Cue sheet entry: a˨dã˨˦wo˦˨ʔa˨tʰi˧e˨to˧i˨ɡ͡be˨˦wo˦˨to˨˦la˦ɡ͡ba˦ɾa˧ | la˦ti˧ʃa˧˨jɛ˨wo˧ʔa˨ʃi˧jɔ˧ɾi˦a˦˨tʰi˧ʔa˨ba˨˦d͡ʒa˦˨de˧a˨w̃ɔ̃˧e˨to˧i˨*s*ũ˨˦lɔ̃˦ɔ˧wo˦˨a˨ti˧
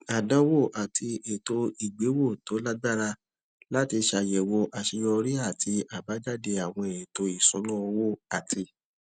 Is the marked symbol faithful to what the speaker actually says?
yes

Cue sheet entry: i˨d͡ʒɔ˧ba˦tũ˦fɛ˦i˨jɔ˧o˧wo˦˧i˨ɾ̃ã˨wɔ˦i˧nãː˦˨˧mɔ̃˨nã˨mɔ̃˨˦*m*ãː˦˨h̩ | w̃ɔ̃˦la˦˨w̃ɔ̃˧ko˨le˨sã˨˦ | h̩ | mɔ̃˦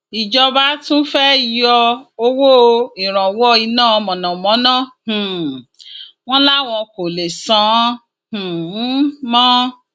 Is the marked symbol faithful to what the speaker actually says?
no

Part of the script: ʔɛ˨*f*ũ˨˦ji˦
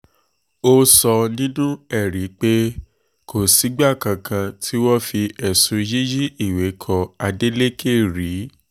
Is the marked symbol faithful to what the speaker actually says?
no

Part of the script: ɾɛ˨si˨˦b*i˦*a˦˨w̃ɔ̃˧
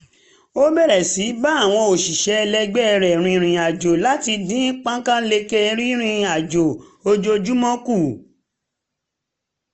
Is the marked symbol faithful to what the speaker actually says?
no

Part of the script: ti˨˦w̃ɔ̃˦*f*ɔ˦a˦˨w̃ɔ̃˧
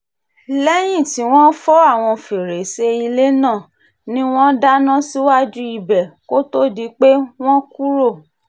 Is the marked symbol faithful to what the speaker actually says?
yes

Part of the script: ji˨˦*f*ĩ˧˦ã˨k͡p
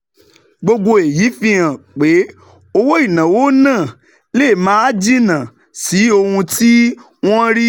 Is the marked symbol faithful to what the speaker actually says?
yes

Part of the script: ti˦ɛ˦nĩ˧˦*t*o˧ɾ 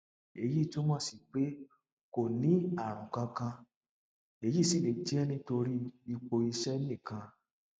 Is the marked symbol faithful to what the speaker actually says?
yes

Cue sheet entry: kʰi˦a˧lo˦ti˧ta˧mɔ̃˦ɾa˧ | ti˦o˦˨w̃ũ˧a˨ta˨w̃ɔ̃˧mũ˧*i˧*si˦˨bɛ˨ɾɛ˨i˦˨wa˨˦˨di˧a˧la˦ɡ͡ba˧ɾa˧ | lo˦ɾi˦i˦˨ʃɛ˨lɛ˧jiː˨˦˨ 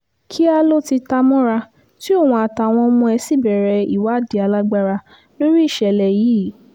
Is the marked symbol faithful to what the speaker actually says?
no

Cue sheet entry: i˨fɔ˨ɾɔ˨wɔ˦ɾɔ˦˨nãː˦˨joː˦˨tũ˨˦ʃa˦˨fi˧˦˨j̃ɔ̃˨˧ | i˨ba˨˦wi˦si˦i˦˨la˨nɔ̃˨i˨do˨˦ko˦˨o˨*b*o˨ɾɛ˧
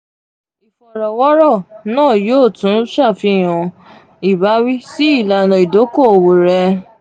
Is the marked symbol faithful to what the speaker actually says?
no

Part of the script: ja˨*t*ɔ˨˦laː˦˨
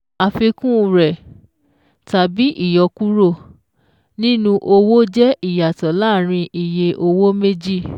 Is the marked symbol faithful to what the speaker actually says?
yes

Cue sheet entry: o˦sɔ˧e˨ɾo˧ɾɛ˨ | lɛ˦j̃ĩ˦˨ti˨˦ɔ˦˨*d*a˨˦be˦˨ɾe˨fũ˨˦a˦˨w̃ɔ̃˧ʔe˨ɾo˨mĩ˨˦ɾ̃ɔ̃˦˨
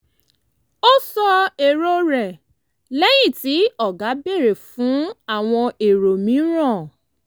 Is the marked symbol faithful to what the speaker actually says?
no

